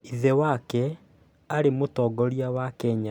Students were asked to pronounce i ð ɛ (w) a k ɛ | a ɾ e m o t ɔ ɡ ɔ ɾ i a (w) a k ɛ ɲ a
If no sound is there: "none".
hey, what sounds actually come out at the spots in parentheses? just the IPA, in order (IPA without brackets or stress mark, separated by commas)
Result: w, w